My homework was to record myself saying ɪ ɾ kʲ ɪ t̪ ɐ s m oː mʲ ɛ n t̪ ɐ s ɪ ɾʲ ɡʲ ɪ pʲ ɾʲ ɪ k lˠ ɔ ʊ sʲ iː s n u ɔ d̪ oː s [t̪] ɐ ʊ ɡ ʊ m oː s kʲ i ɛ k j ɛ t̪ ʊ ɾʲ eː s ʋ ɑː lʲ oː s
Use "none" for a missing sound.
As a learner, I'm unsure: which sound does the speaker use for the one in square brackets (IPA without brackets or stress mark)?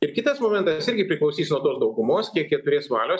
d̪